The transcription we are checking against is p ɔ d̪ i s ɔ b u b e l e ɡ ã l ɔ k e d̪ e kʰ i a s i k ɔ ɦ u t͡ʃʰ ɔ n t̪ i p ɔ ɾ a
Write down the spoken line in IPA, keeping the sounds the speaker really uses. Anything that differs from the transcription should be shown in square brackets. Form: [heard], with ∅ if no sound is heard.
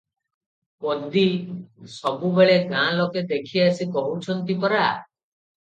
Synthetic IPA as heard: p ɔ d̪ i s ɔ b u b e [ɭ] e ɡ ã l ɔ k e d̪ e kʰ i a s i k ɔ ɦ u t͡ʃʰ ɔ n t̪ i p ɔ ɾ a